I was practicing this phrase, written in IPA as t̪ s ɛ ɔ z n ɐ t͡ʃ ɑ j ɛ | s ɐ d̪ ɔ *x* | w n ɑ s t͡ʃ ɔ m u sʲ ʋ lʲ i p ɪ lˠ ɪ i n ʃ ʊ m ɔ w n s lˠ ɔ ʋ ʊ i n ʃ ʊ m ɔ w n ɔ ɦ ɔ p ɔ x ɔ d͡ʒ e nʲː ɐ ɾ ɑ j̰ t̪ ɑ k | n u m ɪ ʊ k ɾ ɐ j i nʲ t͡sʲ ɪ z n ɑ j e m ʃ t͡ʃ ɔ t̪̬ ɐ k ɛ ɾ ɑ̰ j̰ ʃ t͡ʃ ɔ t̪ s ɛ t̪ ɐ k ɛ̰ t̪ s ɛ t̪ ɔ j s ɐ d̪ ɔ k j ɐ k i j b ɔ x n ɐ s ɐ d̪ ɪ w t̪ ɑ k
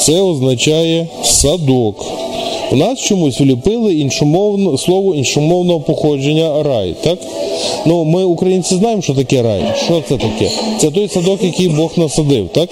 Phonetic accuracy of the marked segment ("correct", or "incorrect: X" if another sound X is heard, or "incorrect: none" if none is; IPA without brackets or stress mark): incorrect: k